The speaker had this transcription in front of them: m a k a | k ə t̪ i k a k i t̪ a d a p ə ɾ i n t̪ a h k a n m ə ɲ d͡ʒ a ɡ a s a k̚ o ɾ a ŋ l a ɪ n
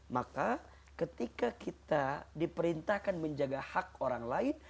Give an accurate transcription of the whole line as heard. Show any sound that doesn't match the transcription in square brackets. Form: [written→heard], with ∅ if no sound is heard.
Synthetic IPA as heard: m a k a | k ə t̪ i k a k i t̪ a d [a→i] p ə ɾ i n t̪ a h k a n m ə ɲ d͡ʒ a ɡ a [s→h] a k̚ o ɾ a ŋ l a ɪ n